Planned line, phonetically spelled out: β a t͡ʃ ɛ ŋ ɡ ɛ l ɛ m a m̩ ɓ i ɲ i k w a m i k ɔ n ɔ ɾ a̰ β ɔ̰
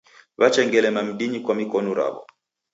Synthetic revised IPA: β a t͡ʃ ɛ ŋ ɡ ɛ l ɛ m a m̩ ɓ i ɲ i k w a m i k ɔ n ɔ ɾ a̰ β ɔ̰